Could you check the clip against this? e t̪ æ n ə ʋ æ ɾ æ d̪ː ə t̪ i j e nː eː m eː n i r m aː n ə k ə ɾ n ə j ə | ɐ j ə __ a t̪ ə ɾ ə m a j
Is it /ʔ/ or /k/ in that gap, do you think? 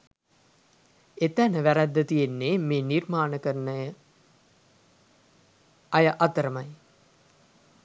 ʔ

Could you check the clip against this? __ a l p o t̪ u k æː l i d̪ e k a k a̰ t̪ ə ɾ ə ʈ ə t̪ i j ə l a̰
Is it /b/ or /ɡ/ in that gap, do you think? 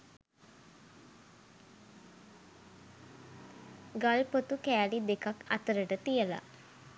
ɡ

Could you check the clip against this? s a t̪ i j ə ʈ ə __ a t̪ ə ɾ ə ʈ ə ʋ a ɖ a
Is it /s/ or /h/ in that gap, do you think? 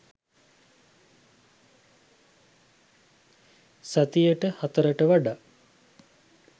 h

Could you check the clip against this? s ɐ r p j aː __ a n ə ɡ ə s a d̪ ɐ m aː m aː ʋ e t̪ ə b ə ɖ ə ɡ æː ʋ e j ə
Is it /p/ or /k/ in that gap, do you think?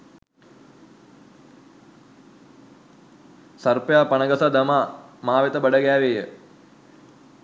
p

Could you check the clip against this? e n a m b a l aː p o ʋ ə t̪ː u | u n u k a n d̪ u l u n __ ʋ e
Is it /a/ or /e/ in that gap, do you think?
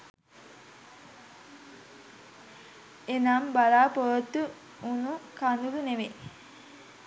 e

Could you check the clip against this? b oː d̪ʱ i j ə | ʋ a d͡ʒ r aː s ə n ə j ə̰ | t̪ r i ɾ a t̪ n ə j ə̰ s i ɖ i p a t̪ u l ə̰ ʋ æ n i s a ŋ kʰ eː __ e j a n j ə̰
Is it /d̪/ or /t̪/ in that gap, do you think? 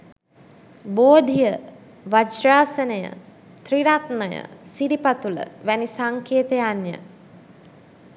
t̪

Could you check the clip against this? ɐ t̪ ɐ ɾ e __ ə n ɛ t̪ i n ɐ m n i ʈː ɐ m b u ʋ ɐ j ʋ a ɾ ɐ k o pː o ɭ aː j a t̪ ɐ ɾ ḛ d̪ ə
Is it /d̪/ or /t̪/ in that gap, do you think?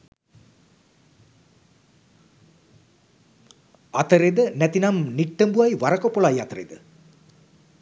d̪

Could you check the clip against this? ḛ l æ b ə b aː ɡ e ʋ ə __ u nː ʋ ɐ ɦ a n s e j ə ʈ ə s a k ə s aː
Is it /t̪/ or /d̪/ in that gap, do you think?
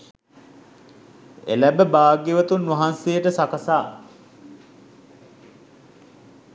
t̪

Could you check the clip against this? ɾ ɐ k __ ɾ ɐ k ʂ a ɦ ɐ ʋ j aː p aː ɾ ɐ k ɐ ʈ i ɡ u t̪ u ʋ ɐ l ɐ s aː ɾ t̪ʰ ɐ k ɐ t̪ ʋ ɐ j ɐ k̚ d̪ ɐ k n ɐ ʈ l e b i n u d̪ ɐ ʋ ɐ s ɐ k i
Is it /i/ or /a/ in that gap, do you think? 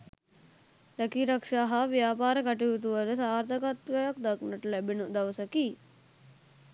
i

